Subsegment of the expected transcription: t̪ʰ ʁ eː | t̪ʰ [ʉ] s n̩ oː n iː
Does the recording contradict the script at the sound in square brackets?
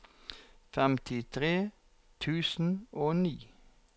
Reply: yes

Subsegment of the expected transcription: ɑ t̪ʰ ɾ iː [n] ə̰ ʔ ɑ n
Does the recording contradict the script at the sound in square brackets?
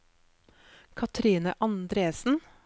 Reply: no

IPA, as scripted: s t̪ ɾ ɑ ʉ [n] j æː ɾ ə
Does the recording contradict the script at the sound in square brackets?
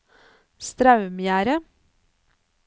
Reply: yes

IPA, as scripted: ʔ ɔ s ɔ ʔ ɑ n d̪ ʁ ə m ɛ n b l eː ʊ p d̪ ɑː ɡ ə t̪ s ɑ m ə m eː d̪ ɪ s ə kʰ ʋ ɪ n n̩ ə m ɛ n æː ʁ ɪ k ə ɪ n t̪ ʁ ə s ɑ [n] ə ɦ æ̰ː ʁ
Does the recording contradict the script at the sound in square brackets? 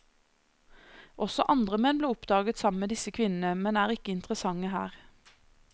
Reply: yes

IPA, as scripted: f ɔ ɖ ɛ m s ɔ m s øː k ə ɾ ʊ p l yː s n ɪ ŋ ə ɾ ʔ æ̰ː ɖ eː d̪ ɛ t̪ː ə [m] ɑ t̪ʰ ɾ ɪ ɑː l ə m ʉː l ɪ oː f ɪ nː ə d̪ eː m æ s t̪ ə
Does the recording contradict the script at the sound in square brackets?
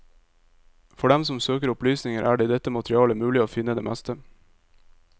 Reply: no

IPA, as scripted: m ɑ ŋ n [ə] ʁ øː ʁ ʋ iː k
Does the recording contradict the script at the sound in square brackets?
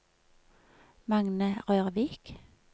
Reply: no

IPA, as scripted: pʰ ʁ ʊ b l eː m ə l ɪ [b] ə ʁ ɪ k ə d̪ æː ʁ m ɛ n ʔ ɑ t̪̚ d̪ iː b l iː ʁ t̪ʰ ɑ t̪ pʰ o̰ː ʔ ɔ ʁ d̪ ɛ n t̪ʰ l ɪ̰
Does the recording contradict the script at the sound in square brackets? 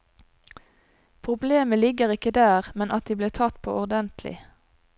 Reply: yes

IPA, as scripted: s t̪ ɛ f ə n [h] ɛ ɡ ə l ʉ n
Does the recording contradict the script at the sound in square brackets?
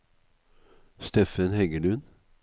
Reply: no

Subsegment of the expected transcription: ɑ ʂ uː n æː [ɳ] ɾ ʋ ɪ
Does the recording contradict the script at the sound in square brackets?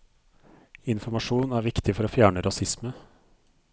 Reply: yes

